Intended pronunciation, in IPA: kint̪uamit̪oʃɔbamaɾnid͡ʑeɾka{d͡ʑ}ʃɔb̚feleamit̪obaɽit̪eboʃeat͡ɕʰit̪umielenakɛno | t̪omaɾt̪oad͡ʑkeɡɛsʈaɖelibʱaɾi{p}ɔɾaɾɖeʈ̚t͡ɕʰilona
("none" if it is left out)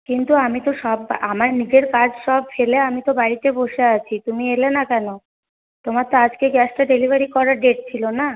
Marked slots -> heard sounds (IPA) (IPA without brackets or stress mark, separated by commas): d͡ʑ, k